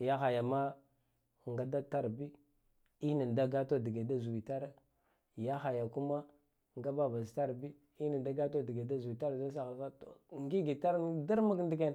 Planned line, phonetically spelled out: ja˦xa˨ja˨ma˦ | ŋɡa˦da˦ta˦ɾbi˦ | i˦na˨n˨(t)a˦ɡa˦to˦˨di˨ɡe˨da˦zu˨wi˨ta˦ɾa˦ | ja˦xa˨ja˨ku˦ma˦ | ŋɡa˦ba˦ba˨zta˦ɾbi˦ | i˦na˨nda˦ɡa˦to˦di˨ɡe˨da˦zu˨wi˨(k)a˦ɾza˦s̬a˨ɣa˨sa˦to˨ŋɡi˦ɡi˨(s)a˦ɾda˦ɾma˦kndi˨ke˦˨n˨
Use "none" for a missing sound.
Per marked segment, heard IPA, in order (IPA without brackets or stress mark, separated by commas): d, t, t